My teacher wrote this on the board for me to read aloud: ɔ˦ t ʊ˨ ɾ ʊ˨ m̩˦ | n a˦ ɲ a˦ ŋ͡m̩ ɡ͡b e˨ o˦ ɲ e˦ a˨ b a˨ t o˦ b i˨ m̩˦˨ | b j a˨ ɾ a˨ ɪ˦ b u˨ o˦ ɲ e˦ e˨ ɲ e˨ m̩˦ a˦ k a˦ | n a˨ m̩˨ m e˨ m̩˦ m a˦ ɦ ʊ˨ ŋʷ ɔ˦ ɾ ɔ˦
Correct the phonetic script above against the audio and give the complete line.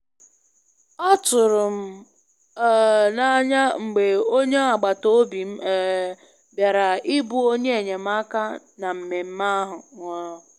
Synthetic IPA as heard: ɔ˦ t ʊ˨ ɾ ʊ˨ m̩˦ | n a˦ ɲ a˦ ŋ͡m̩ ɡ͡b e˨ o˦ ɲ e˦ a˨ ɡ͡b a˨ t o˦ b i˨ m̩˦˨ | b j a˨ ɾ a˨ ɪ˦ b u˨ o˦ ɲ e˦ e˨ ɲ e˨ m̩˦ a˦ k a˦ | n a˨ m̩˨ m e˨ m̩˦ m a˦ ɦ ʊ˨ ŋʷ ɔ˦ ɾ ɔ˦